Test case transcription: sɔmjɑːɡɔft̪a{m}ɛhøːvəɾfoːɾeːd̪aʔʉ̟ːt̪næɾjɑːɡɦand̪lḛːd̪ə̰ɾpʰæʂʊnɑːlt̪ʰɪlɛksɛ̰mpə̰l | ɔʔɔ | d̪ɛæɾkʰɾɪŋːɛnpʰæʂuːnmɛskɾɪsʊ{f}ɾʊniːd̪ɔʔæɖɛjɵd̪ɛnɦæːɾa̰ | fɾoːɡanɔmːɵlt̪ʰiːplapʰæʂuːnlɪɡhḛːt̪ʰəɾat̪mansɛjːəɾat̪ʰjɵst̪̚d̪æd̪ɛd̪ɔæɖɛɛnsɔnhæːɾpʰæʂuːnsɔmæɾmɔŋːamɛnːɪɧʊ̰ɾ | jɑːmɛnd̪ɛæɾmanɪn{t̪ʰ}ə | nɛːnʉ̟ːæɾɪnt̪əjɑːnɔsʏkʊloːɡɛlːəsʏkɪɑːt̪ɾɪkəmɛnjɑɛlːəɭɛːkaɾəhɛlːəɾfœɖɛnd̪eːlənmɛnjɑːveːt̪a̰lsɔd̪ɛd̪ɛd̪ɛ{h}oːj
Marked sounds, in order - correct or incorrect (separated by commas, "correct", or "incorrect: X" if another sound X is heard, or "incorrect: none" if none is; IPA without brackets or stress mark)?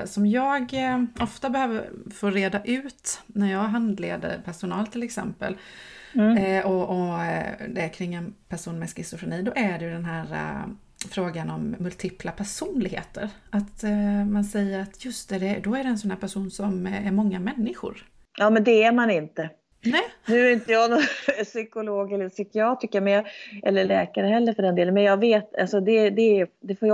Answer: incorrect: b, correct, incorrect: t̪, incorrect: f